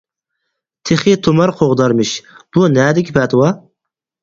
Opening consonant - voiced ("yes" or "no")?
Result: no